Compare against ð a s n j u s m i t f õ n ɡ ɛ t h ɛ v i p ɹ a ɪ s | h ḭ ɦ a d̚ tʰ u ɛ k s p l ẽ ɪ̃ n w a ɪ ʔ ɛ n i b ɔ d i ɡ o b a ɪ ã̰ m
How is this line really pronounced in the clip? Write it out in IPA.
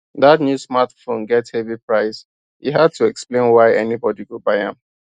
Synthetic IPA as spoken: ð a t n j u s m a t f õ n ɡ ɛ t h ɛ v i p ɹ a ɪ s | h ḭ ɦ a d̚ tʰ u ɛ k s p l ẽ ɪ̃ n w a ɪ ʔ ɛ n i b ɔ d i ɡ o b a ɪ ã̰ m

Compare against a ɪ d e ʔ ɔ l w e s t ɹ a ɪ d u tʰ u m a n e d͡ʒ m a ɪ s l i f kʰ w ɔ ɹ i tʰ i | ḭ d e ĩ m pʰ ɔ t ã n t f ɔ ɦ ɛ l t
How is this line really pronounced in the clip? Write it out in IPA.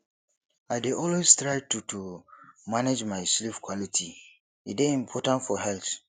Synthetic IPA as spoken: a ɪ d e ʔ ɔ l w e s t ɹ a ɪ t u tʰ u m a n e d͡ʒ m a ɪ s l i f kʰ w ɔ l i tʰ i | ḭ d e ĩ m pʰ ɔ t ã n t f ɔ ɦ ɛ l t

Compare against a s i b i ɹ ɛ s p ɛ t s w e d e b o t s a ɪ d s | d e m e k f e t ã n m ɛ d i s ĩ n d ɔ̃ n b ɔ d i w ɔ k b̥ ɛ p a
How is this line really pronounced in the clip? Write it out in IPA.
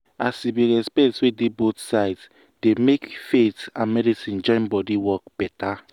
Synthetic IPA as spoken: a s i b i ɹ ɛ s p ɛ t s w e d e b o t s a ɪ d s | d e m e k f e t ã n m ɛ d i s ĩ n d͡ʒ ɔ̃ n b ɔ d i w ɔ k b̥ ɛ t a

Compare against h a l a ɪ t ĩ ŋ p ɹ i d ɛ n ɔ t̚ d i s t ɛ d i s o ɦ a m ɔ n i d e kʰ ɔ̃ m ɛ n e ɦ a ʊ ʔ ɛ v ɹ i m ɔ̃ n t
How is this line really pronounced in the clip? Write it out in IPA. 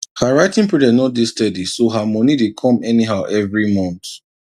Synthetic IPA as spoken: h a ɹ a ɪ t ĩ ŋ p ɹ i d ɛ n ɔ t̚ d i s t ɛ d i s o ɦ a m ɔ n i d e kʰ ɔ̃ m ɛ n i ɦ a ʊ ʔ ɛ v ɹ i m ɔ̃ n t

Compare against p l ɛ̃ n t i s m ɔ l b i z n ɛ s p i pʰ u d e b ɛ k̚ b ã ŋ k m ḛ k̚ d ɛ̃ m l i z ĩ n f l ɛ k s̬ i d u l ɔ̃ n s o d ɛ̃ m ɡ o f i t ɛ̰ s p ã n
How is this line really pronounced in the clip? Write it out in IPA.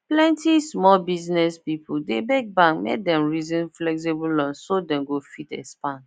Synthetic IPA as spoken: p l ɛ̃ n t i s m ɔ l b i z n ɛ s p i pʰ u d e b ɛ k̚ b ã ŋ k m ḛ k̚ d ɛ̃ m ɹ i z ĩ n f l ɛ k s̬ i b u l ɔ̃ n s o d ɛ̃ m ɡ o f i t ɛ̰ s p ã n

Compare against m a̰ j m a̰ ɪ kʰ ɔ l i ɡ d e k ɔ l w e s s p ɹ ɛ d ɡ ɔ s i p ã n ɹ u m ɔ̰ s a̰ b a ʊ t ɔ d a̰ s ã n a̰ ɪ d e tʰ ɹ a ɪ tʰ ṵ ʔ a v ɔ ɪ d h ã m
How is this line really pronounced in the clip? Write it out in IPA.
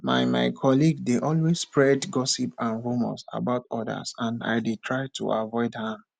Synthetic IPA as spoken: m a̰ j m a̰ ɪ kʰ ɔ l i ɡ d e ʔ ɔ l w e s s p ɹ ɛ d ɡ ɔ s i p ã n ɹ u m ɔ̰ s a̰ b a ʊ t ɔ d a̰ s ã n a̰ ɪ d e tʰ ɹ a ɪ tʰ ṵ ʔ a v ɔ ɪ d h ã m

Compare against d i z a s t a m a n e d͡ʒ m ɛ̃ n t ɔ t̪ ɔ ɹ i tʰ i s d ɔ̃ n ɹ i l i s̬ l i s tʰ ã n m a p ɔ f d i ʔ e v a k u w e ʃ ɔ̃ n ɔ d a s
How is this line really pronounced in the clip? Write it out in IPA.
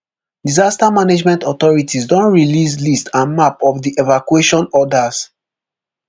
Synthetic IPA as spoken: d i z a s t a m a n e d͡ʒ m ɛ̃ n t ɔ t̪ ɔ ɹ i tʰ i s d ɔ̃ n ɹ i l i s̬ l i s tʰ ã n m a p ɔ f d i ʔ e v a k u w e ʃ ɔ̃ n ɔ d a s

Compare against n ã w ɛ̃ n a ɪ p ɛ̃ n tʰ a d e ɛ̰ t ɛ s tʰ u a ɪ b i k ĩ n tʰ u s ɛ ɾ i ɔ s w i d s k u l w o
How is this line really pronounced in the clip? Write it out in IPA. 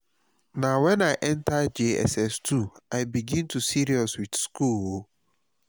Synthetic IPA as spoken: n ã w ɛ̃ n a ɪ ʔ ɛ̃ n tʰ a d͡ʒ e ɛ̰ s ɛ s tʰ u a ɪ b i ɡ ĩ n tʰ u s i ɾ i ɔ s w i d s k u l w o

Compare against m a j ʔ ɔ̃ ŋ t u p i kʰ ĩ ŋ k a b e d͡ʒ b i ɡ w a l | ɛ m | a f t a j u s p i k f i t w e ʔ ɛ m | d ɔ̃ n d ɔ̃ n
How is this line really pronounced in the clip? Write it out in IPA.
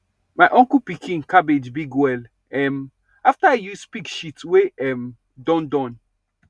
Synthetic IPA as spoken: m a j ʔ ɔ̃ ŋ k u p i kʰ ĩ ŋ k a b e d͡ʒ b i ɡ w ɛ l | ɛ m | a f t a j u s p i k ʃ i t w e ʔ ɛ m | d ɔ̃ n d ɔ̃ n

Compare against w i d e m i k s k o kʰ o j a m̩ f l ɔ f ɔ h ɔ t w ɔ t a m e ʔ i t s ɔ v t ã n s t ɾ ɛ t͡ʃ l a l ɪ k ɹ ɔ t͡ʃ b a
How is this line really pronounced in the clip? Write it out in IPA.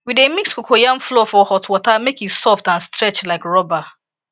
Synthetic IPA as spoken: w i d e m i k s k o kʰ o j a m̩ f l ɔ f ɔ h ɔ t w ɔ t a m e k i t s ɔ f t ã n s t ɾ ɛ t͡ʃ l a ɪ k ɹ ɔ b a

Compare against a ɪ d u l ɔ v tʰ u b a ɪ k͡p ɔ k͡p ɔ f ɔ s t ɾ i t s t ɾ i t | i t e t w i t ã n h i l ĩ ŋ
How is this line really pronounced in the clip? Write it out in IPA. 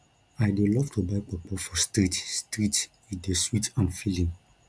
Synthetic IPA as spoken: a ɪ d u l ɔ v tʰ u b a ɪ k͡p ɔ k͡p ɔ f ɔ s t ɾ i t s t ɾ i t | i d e s w i t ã n f i l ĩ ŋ

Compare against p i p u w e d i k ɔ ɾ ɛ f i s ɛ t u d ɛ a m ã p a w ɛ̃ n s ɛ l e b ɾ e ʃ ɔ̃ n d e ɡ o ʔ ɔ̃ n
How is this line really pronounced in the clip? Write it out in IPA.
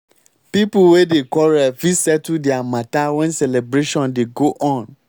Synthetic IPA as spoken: p i p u w e d e k ɔ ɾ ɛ f i s ɛ t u d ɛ a m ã t a w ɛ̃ n s ɛ l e b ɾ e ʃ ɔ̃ n d e ɡ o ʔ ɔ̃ n

